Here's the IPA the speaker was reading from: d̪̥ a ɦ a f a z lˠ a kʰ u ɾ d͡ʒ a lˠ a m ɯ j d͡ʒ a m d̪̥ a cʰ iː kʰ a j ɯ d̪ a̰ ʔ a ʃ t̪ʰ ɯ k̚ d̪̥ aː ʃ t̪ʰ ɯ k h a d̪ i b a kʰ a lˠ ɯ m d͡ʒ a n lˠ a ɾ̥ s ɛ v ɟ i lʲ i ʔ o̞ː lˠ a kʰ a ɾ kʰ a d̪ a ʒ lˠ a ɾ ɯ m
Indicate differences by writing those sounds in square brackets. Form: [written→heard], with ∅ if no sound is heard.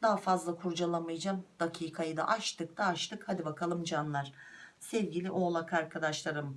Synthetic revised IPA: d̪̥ a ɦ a f a z lˠ a kʰ u ɾ d͡ʒ a lˠ a m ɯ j d͡ʒ a m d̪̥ a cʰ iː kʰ a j ɯ d̪ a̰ ʔ a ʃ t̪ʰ ɯ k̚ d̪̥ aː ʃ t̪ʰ ɯ k h a d̪ i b a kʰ a lˠ ɯ m d͡ʒ a n lˠ a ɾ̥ s ɛ v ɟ i lʲ i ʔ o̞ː lˠ a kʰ a ɾ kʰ a d̪ a [ʒ→ʃ] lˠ a ɾ ɯ m